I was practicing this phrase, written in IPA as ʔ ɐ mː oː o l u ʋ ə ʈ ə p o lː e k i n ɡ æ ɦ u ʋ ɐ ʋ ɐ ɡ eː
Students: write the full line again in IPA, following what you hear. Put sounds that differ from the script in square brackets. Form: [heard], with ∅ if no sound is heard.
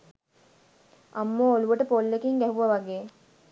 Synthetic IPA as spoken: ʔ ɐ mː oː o l u ʋ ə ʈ ə p o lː e k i [ŋ] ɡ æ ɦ u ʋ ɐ ʋ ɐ ɡ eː